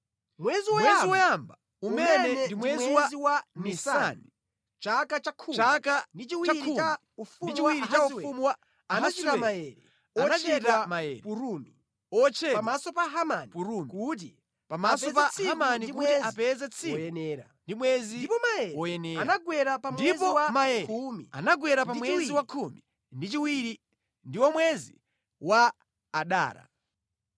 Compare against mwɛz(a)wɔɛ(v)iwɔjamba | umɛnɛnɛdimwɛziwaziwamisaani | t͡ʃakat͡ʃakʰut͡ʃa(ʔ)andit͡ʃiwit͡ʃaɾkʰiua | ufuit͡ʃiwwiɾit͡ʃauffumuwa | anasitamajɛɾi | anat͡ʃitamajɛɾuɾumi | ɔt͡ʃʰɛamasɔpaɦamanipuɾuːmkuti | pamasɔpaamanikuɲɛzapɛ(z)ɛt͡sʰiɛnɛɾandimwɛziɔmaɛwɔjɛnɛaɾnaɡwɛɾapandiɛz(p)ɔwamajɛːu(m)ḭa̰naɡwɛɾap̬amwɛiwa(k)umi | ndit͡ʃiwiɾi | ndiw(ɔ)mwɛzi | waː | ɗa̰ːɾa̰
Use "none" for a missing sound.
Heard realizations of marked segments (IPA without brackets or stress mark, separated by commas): i, z, k, z, p, m, kʰ, ɔ